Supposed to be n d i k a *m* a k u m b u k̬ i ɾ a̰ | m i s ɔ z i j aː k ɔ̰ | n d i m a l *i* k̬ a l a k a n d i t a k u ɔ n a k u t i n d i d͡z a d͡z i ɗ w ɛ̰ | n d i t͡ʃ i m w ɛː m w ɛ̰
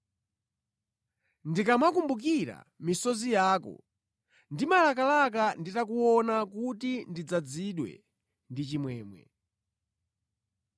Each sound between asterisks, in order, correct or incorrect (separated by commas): correct, incorrect